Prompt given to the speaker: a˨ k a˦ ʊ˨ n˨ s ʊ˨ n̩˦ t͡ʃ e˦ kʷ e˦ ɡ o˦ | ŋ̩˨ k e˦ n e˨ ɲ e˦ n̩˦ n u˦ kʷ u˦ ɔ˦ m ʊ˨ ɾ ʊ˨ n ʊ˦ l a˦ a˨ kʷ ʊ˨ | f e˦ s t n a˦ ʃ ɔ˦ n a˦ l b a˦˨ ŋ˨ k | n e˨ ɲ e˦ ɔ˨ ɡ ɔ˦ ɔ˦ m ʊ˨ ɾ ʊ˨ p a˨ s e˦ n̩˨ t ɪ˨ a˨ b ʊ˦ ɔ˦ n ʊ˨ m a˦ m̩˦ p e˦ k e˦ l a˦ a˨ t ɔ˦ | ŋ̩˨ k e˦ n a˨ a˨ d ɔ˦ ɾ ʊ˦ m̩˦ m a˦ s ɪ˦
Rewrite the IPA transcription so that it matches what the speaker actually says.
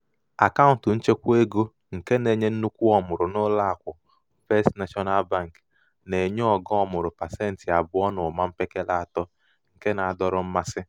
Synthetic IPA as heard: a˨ k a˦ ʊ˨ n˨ t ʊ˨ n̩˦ t͡ʃ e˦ kʷ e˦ ɡ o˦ | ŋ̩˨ k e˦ n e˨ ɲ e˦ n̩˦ n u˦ kʷ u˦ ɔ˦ m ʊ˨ ɾ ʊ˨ n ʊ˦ l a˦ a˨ kʷ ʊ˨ | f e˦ s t n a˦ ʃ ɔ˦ n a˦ l b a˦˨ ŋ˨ k | n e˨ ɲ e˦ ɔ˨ ɡ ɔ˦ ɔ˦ m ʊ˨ ɾ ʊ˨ p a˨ s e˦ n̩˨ t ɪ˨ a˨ b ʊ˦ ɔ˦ n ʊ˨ m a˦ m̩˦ p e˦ k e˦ l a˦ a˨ t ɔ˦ | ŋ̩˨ k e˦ n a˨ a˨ d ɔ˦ ɾ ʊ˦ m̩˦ m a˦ s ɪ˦

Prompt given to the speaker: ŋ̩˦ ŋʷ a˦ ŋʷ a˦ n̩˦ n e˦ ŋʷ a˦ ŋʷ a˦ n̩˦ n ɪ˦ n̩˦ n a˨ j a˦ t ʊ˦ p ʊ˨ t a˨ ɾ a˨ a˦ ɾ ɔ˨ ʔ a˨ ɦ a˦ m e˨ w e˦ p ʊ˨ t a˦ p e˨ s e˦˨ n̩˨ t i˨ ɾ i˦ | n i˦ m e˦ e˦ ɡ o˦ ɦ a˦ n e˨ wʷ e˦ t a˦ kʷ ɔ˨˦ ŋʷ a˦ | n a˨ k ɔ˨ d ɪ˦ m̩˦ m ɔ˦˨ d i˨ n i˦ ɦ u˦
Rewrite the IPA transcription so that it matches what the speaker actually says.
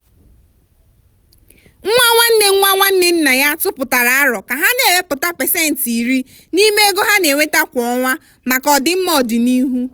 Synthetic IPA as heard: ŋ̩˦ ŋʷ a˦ ŋʷ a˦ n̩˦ n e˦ ŋʷ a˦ ŋʷ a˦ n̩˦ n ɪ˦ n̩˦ n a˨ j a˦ t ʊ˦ p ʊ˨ t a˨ ɾ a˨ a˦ ɾ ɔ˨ k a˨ ɦ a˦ n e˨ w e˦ p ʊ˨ t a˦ p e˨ s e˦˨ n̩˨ t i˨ ɾ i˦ | n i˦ m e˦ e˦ ɡ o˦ ɦ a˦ n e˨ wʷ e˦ t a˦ kʷ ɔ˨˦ ŋʷ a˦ | m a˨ k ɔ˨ d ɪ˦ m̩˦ m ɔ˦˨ d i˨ n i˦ ɦ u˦

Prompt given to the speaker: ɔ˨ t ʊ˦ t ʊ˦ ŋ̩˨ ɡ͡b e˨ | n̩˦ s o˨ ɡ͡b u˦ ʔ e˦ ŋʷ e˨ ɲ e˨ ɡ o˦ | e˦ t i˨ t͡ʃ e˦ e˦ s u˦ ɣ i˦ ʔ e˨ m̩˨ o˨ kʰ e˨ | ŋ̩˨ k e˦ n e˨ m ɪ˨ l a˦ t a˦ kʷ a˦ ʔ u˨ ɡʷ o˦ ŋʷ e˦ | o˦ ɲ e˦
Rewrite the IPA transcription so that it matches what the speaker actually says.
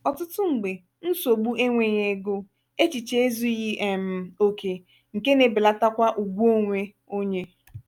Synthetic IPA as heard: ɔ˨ t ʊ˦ t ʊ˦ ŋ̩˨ ɡ͡b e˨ | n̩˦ s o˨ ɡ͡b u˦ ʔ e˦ ŋʷ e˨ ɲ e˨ ɡ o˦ | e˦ t͡ʃ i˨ t͡ʃ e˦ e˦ z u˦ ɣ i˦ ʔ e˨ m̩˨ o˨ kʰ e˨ | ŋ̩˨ k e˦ n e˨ b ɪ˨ l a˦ t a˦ kʷ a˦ ʔ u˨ ɡʷ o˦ ŋʷ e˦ | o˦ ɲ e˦

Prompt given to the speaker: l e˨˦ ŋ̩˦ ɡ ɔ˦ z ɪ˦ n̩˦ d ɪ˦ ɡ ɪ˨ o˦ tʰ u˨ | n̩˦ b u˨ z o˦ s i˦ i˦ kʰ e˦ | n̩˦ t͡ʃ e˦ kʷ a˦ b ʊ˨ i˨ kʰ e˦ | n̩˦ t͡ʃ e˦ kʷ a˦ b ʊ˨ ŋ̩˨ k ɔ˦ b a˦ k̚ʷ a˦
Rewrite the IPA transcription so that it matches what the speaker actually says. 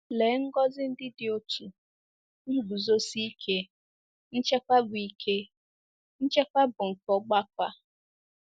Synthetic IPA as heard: l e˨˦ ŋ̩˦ ɡ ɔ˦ z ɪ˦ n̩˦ d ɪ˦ d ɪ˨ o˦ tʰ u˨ | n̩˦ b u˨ z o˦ s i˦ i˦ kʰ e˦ | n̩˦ t͡ʃ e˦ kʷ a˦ b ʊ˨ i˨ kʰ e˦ | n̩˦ t͡ʃ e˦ kʷ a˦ b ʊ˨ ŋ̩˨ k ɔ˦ ɡ͡b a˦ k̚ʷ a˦

